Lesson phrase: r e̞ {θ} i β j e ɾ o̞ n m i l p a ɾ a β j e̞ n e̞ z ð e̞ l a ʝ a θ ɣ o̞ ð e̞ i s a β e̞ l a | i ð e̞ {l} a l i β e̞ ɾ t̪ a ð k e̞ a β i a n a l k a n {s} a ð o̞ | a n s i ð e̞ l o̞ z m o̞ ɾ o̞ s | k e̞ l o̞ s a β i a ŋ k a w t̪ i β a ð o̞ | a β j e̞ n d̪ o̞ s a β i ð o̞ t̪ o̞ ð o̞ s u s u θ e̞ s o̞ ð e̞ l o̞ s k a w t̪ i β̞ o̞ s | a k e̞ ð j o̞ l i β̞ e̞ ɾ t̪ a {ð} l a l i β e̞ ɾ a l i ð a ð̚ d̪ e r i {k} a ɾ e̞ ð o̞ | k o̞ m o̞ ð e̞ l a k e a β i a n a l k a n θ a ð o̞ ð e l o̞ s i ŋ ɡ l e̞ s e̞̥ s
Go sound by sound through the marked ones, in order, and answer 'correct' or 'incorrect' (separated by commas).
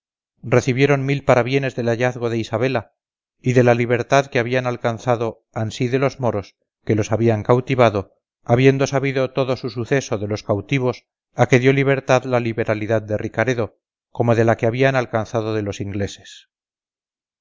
correct, correct, incorrect, correct, correct